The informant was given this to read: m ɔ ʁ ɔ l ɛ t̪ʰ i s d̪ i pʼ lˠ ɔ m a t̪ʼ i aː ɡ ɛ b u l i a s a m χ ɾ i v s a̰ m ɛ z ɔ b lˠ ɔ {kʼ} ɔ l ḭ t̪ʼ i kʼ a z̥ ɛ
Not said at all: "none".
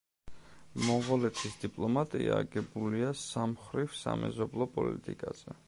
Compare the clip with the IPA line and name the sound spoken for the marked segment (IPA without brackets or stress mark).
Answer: pʼ